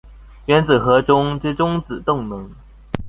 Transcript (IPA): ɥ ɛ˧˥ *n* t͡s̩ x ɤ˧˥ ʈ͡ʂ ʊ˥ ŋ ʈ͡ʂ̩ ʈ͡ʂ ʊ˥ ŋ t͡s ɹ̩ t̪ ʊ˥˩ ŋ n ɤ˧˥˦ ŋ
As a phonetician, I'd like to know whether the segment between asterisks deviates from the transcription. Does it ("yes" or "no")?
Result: no